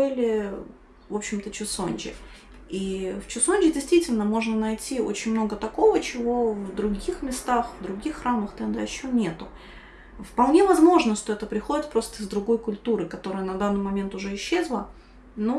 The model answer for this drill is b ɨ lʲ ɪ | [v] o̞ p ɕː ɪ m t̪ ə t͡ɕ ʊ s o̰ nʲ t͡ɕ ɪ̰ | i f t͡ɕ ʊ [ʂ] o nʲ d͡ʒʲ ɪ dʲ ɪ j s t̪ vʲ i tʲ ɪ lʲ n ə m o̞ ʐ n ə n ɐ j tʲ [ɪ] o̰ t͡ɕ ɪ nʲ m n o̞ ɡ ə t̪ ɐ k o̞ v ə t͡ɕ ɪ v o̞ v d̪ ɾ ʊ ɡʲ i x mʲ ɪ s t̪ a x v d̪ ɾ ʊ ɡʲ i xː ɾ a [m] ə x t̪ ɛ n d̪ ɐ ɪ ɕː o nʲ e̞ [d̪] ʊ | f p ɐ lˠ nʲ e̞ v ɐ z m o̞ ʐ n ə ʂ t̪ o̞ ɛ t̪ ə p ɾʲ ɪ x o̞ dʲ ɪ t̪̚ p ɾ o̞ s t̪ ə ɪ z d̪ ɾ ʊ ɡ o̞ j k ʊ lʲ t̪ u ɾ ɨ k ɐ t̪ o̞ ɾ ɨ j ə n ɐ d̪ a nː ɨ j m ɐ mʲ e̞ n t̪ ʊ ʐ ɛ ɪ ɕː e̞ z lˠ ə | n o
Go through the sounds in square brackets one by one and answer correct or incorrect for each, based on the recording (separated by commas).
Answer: correct, incorrect, incorrect, correct, incorrect